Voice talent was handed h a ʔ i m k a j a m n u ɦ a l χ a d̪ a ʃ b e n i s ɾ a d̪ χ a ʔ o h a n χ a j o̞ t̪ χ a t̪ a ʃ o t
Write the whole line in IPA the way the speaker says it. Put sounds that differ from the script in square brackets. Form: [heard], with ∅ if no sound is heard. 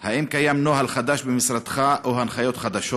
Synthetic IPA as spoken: h a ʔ i m k a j a m n [o] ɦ a l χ a d̪ a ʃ b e [m] i s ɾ a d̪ χ a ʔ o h a n χ a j o̞ t̪ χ a [d̪] a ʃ o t